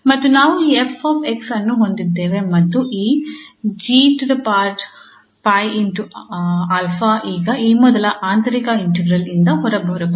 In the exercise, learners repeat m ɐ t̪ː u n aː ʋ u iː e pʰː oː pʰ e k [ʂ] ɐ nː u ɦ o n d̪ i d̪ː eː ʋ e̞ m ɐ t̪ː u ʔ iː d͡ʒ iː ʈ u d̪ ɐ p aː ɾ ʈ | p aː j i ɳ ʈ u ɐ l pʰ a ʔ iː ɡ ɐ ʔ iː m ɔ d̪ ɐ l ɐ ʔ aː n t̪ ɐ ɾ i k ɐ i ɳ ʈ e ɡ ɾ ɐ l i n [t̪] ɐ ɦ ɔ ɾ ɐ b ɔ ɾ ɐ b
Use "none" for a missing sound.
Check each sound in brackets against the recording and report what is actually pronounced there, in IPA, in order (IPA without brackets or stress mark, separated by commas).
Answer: s, d̪